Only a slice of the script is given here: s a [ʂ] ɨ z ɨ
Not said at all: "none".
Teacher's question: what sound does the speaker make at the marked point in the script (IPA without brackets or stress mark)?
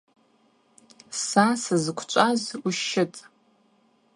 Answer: s